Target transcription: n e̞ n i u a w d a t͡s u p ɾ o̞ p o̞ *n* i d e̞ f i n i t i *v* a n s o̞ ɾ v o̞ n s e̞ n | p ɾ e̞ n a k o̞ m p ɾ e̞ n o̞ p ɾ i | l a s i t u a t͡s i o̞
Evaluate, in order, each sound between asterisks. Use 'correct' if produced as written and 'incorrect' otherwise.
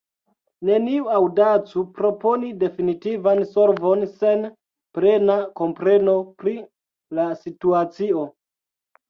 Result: correct, correct

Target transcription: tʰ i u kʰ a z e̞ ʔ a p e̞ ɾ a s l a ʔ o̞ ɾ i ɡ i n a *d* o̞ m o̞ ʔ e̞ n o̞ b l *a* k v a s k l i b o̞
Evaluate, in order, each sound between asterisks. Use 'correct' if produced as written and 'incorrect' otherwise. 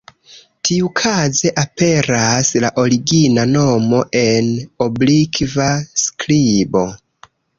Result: incorrect: n, incorrect: i

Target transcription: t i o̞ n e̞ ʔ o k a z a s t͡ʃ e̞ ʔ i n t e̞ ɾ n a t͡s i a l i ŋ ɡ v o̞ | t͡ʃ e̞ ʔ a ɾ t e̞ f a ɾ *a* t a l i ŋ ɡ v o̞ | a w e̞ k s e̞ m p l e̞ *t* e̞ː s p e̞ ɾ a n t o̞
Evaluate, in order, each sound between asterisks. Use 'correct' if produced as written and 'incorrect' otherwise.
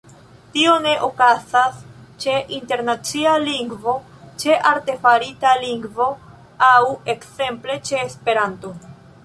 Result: incorrect: i, incorrect: t͡ʃ

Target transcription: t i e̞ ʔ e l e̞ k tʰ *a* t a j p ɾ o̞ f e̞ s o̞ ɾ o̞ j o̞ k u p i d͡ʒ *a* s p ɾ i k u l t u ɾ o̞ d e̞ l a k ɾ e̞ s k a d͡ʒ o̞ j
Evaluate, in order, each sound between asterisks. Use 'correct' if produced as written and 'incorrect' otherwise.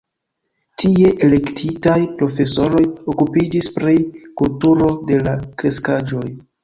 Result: incorrect: i, incorrect: i

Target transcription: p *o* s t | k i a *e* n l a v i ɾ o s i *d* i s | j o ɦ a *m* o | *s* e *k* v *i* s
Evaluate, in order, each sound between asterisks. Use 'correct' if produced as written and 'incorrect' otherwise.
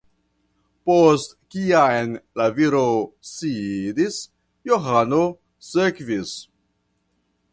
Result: correct, correct, correct, incorrect: n, correct, correct, correct

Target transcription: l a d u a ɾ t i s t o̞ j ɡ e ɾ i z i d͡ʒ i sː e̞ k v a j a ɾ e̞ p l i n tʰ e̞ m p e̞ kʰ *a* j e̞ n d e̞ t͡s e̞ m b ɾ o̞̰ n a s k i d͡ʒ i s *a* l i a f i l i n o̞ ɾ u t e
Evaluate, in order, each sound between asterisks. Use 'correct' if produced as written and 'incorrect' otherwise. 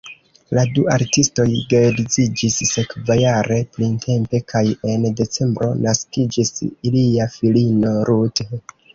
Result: correct, incorrect: i

